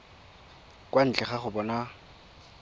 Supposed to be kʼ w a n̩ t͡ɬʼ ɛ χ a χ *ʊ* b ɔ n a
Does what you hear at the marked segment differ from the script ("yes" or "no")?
no